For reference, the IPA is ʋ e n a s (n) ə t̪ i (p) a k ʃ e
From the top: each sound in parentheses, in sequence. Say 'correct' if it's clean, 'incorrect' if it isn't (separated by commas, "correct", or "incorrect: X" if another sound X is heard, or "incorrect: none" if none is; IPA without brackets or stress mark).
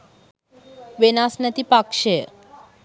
correct, correct